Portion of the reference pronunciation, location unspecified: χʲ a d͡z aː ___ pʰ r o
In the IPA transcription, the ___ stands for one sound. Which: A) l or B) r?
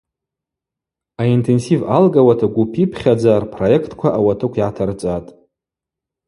B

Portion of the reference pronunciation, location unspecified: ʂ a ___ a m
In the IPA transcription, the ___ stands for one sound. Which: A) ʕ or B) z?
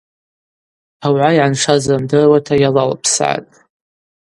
B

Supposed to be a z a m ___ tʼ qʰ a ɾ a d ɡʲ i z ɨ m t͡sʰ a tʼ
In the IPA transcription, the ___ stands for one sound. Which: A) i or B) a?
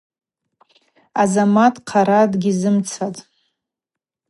B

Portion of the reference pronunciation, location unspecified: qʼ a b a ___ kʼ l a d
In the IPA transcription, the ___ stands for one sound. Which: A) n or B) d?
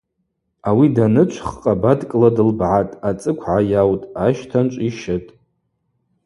B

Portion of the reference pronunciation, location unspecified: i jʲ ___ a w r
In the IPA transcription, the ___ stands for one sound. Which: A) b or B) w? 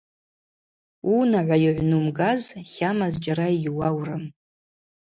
B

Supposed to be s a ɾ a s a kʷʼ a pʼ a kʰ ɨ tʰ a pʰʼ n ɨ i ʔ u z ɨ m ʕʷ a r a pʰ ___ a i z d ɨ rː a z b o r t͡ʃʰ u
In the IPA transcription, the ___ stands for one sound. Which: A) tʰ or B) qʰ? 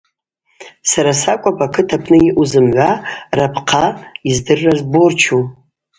B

